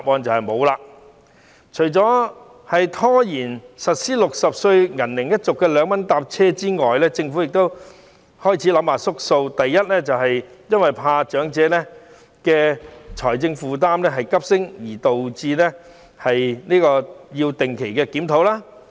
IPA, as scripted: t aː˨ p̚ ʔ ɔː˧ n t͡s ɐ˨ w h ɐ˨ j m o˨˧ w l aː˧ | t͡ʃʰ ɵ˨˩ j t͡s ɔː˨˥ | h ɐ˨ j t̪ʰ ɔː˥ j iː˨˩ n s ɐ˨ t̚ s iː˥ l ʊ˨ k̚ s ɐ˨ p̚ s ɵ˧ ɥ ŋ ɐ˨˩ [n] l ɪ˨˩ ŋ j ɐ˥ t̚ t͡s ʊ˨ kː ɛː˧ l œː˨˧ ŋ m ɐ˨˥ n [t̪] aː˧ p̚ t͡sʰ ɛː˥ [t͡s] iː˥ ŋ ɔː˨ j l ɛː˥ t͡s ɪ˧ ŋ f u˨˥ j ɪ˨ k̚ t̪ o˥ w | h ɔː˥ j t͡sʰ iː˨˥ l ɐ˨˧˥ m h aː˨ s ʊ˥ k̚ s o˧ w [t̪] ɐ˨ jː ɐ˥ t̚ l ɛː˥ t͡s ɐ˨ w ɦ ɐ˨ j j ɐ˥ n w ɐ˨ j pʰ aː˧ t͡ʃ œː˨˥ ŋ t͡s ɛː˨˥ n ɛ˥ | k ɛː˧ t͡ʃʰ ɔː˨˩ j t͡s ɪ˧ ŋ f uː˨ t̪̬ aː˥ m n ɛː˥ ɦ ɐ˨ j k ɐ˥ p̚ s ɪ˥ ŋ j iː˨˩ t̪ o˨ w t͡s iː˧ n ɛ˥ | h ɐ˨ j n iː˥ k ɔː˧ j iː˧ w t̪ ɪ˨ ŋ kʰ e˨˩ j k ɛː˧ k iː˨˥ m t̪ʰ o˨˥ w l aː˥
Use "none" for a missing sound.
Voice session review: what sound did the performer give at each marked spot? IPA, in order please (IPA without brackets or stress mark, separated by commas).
n, t̪, t͡s, t̪